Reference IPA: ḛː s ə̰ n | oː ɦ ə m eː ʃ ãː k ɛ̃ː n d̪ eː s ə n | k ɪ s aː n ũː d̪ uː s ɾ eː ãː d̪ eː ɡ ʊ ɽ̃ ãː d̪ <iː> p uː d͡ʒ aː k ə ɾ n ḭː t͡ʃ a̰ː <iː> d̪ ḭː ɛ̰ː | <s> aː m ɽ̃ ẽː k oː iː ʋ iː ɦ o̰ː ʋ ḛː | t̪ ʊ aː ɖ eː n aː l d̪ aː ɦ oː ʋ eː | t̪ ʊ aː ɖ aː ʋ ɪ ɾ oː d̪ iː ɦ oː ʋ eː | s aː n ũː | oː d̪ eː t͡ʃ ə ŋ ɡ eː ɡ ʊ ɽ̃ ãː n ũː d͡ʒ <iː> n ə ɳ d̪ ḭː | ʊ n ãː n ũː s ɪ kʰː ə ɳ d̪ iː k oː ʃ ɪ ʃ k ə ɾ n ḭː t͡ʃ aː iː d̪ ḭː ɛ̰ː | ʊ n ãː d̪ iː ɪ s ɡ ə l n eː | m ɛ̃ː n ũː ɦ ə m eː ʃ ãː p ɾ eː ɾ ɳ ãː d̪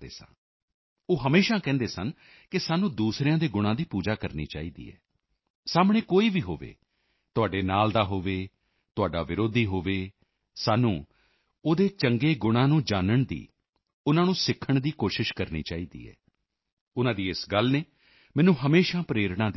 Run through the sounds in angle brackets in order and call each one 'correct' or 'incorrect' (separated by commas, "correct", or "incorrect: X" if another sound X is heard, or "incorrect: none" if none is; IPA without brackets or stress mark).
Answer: correct, correct, correct, incorrect: aː